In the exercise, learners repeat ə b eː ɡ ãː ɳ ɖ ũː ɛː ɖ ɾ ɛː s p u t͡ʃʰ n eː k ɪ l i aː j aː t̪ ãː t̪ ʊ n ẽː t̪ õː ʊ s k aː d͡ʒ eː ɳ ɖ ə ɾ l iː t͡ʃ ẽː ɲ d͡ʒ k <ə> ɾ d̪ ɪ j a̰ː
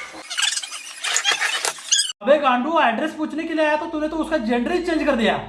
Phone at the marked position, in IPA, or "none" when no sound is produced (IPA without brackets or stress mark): ə